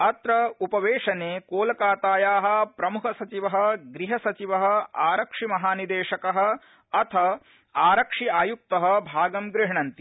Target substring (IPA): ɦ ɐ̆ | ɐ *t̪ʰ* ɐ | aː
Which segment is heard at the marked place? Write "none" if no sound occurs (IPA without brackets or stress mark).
t̪ʰ